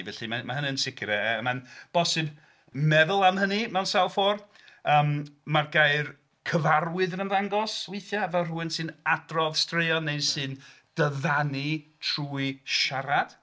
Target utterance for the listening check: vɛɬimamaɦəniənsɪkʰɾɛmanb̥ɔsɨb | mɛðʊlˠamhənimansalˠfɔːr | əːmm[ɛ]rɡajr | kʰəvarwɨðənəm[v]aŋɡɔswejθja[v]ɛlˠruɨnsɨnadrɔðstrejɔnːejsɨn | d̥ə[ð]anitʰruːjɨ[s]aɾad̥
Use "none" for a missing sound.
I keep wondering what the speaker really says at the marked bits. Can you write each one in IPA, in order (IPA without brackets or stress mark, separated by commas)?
a, ð, v, ð, ʃ